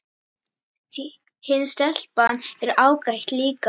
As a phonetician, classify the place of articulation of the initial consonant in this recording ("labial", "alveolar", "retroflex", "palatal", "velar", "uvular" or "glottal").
glottal